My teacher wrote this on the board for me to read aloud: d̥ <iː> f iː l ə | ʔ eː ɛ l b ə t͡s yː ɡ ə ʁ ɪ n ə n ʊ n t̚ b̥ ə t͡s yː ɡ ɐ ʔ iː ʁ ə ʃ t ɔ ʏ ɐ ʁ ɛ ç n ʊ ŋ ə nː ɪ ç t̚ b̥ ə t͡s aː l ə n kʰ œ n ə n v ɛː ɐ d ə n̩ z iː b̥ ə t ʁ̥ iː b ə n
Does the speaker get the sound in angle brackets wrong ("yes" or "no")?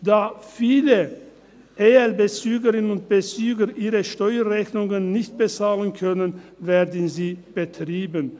yes